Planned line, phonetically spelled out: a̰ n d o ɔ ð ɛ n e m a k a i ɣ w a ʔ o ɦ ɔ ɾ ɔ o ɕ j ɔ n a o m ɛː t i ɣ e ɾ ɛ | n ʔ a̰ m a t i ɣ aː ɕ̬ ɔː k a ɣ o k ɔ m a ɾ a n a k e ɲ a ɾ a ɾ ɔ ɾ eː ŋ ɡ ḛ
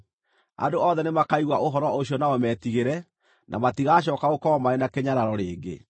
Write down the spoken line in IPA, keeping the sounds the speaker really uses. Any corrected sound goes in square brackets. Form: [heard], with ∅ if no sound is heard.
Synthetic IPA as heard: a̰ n d o ɔ ð ɛ n e m a k a i ɣ w a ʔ o ɦ ɔ ɾ ɔ o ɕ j ɔ n a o m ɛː t i ɣ e ɾ ɛ | n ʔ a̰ m a t i ɣ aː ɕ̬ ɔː k a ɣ o k ɔ m a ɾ [e] n a k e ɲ a ɾ a ɾ ɔ ɾ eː ŋ ɡ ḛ